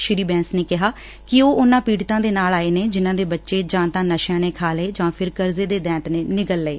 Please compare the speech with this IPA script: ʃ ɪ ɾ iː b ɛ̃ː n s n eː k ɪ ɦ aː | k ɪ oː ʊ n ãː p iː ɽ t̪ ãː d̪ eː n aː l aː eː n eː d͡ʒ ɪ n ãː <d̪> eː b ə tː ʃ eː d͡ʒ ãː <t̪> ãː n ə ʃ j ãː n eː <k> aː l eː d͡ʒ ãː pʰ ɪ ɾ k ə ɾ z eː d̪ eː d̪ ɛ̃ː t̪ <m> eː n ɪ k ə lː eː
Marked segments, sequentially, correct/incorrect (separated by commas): correct, correct, incorrect, incorrect